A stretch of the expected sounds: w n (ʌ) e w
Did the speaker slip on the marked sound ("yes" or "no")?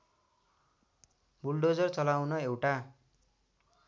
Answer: no